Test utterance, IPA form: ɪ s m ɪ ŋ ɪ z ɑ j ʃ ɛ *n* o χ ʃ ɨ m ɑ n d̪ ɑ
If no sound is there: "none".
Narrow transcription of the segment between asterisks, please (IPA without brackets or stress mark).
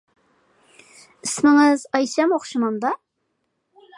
m